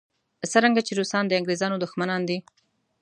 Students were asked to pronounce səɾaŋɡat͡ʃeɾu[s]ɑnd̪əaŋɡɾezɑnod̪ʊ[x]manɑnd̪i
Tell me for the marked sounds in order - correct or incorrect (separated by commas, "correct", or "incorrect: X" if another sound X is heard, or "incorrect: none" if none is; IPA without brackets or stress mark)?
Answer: correct, correct